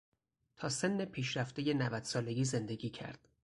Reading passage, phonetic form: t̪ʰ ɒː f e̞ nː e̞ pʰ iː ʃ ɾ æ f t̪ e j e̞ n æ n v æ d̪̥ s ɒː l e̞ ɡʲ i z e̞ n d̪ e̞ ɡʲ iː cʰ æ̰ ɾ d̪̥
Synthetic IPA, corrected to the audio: t̪ʰ ɒː s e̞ nː e̞ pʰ iː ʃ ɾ æ f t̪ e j e̞ n æ v æ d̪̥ s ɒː l e̞ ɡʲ iː z e̞ n d̪ e̞ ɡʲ iː cʰ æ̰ ɾ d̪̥

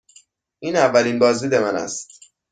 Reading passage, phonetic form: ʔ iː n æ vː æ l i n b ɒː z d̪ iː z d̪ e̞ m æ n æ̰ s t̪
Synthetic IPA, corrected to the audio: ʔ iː n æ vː æ l i n b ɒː z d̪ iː d̪ e̞ m æ n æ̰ s t̪

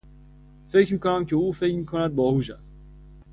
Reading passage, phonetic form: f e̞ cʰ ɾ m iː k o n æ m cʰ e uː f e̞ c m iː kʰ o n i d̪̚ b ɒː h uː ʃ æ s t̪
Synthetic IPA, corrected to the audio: f e̞ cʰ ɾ m iː k o n æ m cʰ e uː f e̞ c m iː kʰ o n æ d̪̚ b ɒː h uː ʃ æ s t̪

